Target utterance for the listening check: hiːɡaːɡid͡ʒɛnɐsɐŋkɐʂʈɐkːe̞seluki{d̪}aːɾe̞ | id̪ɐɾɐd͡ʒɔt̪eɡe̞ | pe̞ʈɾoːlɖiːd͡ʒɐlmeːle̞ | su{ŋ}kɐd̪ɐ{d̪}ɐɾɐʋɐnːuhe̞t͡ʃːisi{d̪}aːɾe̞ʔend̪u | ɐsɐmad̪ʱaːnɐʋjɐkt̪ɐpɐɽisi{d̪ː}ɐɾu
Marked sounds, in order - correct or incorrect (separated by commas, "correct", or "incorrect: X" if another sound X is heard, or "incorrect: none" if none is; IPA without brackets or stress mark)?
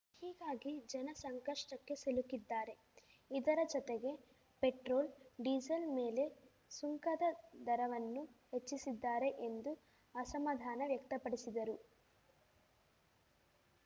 incorrect: d̪ː, correct, correct, incorrect: d̪ː, incorrect: d̪